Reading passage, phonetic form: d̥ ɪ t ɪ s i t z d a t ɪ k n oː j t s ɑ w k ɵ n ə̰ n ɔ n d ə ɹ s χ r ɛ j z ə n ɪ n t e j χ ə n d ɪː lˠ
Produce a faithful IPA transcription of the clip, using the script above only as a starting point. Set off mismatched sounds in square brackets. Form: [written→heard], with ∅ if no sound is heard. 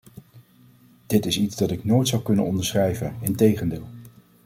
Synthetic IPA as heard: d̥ ɪ t ɪ s i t z d [a→ɑ] t ɪ k n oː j t s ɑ w k ɵ n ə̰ n ɔ n d ə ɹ s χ r ɛ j [z→v] ə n ɪ n t e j χ ə n d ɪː lˠ